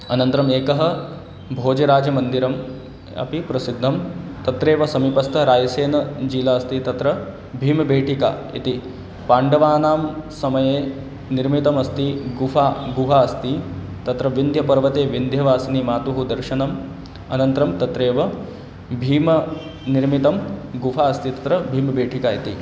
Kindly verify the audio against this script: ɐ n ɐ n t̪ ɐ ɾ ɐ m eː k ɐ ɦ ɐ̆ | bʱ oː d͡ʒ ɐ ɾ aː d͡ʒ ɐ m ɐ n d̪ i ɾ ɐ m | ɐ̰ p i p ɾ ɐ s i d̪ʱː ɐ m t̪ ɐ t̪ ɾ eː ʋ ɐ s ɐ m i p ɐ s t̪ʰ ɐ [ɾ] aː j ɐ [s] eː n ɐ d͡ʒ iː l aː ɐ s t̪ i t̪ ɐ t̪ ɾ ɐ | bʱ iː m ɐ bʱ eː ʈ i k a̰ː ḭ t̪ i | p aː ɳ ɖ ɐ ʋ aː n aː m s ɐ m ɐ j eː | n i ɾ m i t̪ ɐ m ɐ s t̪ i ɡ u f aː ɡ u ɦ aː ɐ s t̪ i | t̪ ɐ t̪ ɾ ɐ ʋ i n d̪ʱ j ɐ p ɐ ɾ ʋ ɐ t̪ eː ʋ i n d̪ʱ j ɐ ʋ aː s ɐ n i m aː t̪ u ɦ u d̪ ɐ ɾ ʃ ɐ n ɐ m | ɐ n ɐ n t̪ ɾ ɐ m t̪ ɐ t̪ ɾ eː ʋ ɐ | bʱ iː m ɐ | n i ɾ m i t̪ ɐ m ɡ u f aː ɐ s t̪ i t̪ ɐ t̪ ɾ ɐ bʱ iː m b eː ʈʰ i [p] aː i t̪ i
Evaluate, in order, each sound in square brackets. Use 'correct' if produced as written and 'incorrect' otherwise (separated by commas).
correct, correct, incorrect